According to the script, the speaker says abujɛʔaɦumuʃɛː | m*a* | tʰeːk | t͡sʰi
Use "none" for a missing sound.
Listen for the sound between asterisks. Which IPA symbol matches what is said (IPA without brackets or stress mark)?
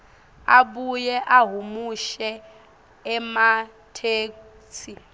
a